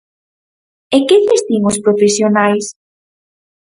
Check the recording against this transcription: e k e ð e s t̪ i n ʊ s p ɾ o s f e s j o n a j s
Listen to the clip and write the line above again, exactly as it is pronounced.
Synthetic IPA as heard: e k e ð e s t̪ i ŋ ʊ s p ɾ o f e s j o n a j s